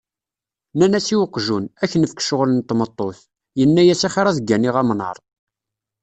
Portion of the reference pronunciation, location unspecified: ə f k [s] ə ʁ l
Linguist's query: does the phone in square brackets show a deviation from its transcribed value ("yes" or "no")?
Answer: yes